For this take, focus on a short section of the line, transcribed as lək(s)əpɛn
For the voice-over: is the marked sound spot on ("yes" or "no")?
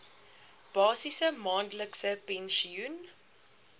yes